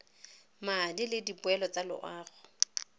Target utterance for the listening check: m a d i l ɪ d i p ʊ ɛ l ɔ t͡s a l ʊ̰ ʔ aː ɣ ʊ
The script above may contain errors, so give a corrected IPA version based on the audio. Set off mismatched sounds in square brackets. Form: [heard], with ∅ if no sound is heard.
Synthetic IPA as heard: m a d i l ɪ d i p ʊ ɛ l ɔ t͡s a l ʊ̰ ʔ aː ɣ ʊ